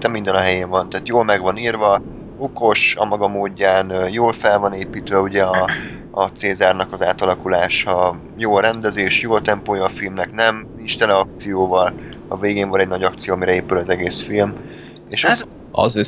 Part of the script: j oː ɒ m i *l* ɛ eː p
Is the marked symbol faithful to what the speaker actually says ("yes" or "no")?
no